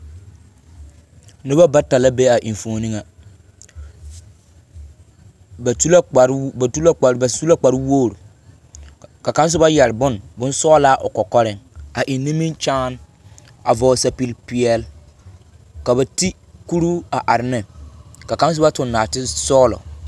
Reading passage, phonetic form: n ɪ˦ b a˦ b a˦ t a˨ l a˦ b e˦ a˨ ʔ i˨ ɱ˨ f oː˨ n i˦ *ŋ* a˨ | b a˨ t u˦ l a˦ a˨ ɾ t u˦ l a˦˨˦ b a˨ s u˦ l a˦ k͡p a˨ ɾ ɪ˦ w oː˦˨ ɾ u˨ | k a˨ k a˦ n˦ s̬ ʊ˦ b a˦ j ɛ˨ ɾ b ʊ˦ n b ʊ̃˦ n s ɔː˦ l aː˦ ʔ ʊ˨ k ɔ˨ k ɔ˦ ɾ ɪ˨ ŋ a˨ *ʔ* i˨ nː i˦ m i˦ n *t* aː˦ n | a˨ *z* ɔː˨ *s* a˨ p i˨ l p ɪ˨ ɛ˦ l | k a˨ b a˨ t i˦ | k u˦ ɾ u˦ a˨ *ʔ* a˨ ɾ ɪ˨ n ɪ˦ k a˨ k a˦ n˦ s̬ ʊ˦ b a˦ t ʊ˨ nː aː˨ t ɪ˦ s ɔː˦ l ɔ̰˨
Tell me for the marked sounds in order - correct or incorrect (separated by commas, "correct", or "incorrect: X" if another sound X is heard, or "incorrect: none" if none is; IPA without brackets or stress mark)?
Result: correct, correct, incorrect: t͡ʃ, incorrect: v, correct, correct